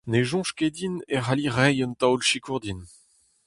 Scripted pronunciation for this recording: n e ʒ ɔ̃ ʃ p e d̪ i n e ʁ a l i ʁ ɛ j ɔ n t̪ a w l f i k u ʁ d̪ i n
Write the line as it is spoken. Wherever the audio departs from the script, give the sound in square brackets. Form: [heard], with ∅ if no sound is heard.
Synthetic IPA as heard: n e ʒ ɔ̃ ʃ [k] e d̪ i n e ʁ a l i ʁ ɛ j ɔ n t̪ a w l [ʃ] i k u ʁ d̪ i n